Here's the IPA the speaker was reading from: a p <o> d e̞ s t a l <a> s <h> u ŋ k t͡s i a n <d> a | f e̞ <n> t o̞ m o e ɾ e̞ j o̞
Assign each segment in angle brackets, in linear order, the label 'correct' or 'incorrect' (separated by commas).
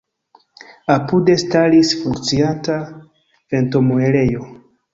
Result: incorrect, incorrect, incorrect, incorrect, correct